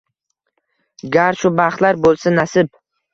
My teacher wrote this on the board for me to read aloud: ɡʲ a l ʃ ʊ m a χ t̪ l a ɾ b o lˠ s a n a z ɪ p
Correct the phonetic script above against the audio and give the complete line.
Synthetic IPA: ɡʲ a ɾ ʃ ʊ b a χ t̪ l a ɾ b o lˠ s a n a s ɪ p